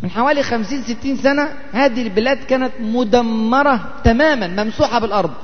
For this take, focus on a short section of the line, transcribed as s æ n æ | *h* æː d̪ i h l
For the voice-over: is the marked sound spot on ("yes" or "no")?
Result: yes